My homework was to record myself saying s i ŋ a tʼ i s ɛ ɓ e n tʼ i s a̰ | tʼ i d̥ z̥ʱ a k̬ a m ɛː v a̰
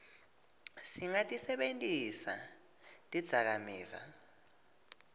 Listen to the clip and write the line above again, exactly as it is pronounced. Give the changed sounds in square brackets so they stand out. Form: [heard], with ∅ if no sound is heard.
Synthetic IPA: s i ŋ a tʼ i s ɛ ɓ e n tʼ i s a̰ | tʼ i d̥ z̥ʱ a k̬ a m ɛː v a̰